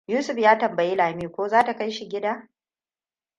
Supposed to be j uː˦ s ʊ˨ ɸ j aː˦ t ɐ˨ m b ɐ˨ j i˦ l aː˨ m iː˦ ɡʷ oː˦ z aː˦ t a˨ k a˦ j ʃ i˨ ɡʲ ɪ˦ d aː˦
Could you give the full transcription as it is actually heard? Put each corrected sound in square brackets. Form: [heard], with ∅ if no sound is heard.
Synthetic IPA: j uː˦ s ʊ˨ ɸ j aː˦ t ɐ˨ m b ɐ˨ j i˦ l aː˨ m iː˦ [kʷ] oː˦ z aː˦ t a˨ k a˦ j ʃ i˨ ɡʲ ɪ˦ d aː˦